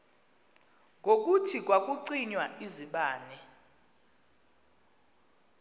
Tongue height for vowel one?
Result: mid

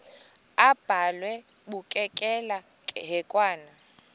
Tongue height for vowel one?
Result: low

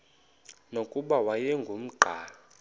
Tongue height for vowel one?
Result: mid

